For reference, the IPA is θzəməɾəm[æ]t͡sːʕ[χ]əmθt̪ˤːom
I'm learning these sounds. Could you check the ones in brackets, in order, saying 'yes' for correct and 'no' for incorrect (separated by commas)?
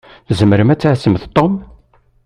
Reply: yes, no